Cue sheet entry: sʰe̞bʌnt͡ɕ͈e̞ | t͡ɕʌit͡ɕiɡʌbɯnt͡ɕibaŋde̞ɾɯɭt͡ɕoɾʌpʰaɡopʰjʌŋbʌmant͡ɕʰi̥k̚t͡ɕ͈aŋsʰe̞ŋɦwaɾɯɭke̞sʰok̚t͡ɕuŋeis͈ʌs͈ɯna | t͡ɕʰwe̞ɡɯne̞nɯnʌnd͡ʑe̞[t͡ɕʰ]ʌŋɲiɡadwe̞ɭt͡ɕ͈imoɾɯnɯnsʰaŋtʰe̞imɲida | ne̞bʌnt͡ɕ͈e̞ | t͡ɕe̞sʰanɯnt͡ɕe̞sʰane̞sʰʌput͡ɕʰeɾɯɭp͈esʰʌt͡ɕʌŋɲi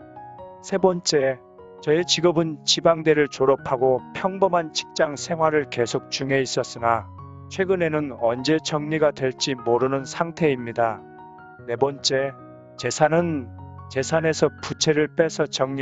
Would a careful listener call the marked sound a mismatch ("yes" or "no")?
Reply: yes